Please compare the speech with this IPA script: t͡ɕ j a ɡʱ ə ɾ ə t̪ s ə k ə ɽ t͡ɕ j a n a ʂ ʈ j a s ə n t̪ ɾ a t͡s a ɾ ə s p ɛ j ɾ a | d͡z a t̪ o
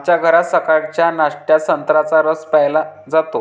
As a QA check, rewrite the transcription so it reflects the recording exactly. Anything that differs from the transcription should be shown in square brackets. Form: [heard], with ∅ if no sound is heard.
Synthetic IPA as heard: t͡ɕ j a ɡʱ ə ɾ [a] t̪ s ə k [a] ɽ t͡ɕ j a n a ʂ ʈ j a s ə n t̪ ɾ a t͡s a ɾ ə s p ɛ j [l] a | d͡z a t̪ o